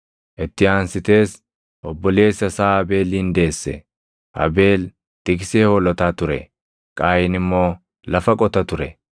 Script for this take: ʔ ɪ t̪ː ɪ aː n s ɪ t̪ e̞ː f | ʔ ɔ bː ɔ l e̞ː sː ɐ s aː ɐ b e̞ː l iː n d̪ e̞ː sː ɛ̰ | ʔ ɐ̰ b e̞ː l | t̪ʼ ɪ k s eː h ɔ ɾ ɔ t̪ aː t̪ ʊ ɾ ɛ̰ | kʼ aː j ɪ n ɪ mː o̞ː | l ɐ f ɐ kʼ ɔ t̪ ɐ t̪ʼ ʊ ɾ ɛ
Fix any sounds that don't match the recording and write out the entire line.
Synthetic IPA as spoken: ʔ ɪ t̪ː ɪ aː n s ɪ t̪ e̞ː s | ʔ ɔ bː ɔ l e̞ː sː ɐ s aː ɐ b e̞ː l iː n d̪ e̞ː sː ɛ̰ | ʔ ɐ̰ b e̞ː l | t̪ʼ ɪ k s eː h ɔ l ɔ t̪ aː t̪ ʊ ɾ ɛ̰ | kʼ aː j ɪ n ɪ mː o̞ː | l ɐ f ɐ kʼ ɔ t̪ ɐ t̪ ʊ ɾ ɛ